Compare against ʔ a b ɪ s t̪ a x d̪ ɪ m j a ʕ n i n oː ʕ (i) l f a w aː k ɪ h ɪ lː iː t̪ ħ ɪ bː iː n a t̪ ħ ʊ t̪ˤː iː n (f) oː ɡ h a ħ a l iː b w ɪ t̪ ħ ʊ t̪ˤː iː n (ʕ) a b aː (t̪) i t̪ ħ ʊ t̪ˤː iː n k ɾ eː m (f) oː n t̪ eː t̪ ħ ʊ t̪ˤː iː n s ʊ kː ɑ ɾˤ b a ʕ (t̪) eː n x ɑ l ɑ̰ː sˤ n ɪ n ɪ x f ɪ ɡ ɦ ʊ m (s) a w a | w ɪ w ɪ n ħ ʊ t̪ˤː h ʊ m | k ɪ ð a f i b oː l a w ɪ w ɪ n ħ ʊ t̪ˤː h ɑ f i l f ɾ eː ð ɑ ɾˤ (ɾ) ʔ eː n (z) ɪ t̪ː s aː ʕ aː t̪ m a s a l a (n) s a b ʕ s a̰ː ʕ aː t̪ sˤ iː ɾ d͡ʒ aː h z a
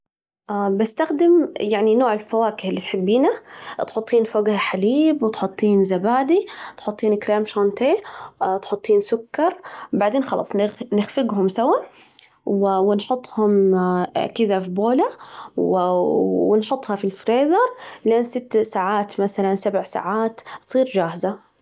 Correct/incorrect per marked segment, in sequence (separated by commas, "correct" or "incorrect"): incorrect, correct, incorrect, incorrect, incorrect, incorrect, correct, incorrect, incorrect, correct